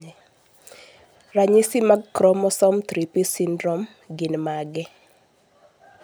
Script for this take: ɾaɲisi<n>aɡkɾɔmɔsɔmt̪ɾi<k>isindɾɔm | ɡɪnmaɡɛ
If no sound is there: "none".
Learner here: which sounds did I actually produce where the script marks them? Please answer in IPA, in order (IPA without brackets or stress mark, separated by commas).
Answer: m, p